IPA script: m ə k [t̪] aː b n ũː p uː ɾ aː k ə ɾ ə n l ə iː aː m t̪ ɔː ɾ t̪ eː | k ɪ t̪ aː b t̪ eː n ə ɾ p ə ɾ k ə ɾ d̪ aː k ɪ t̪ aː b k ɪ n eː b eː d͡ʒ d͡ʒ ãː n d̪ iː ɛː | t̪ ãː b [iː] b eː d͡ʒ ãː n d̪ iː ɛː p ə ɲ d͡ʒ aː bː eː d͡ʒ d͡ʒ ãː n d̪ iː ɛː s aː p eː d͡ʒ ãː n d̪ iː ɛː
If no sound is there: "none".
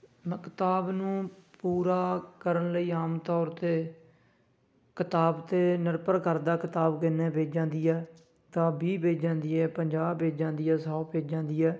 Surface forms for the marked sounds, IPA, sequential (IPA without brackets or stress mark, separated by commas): t̪, iː